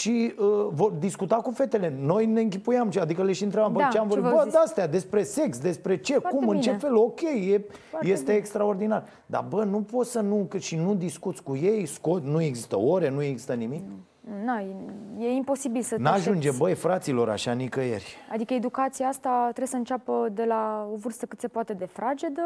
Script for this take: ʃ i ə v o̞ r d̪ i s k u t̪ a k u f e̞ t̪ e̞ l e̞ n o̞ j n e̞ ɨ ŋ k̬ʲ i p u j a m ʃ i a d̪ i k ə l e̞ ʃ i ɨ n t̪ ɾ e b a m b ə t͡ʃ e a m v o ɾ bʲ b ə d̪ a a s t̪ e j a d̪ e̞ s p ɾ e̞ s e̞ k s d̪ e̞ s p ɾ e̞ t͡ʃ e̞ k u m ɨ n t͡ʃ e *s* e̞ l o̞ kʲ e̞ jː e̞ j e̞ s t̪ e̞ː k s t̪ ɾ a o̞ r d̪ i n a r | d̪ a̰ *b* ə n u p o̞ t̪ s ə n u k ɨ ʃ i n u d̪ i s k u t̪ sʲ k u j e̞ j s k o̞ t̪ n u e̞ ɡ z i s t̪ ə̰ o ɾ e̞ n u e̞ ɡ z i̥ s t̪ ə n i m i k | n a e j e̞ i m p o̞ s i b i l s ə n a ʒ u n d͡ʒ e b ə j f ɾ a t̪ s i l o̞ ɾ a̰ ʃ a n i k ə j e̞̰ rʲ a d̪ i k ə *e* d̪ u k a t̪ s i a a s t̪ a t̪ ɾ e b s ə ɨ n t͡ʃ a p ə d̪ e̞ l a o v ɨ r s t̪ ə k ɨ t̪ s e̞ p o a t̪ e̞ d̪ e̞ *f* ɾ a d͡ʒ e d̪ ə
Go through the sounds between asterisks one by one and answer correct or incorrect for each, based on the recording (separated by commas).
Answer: incorrect, correct, correct, correct